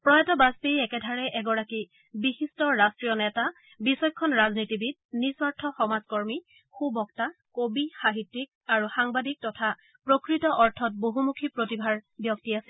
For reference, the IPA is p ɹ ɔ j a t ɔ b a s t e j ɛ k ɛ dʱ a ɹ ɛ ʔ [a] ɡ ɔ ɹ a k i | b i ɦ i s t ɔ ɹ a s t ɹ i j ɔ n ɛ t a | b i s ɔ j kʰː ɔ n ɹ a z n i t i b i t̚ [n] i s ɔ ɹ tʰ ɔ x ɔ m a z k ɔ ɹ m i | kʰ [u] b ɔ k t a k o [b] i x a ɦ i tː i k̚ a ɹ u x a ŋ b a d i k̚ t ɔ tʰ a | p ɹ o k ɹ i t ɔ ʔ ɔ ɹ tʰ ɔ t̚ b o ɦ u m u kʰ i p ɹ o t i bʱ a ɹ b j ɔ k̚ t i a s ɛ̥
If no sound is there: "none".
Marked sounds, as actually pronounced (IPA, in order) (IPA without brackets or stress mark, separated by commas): ɛ, n, u, b